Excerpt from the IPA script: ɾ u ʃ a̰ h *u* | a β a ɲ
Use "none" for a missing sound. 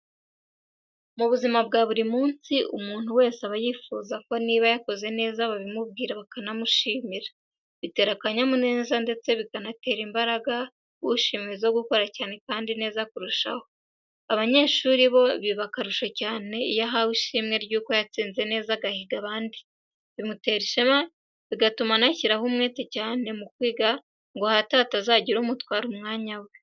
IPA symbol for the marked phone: o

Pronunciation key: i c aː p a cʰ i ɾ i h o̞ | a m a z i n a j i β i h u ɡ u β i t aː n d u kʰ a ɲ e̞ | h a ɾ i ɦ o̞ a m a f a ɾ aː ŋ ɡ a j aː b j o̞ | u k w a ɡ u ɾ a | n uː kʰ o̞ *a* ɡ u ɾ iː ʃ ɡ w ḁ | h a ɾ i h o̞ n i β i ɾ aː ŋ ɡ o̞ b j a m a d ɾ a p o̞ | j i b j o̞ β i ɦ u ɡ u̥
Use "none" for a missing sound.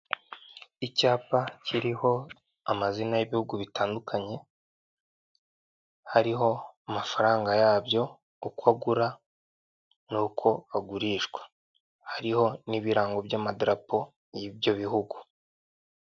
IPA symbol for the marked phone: a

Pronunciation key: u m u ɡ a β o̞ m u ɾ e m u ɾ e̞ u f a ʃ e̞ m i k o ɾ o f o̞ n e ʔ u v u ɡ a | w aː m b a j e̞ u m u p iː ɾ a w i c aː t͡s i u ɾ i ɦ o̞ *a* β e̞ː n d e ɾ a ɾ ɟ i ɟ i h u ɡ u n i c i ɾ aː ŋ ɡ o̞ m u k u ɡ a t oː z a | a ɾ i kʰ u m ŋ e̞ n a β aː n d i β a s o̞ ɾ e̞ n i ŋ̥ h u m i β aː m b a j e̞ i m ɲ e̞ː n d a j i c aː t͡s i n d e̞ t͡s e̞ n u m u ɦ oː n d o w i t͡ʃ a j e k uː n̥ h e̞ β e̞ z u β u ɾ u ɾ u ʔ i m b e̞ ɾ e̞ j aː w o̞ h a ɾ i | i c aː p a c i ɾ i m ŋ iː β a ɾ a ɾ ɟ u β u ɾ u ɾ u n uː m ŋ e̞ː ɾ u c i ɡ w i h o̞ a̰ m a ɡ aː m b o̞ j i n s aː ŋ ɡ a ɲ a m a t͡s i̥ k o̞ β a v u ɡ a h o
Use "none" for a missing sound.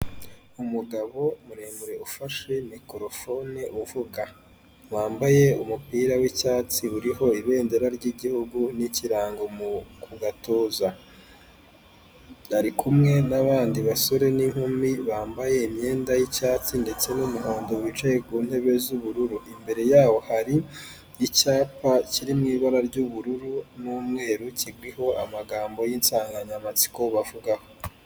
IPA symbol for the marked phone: i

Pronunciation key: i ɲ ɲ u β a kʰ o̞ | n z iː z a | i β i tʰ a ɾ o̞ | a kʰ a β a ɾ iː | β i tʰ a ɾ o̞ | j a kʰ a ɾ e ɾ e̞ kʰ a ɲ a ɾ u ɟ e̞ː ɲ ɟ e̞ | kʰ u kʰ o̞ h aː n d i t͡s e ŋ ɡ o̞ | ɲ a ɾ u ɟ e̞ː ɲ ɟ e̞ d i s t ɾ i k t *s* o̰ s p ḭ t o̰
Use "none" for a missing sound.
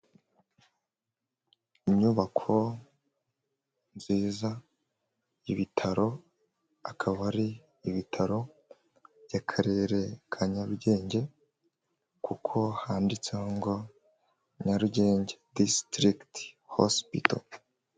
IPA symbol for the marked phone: h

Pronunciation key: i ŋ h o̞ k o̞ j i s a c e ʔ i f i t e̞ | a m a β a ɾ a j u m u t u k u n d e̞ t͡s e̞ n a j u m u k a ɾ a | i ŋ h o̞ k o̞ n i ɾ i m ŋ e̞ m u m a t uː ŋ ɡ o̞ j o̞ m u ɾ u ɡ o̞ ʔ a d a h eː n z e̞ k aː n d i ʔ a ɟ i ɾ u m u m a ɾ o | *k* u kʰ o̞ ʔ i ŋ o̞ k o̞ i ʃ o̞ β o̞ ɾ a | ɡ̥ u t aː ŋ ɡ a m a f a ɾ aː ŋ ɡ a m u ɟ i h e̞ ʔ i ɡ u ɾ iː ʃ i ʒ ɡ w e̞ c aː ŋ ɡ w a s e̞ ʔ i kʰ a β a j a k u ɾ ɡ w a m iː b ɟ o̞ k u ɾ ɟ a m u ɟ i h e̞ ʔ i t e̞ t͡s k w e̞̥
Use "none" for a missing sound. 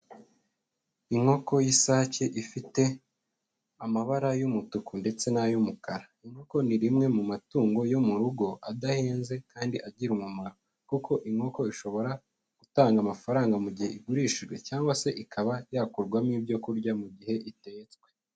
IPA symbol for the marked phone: k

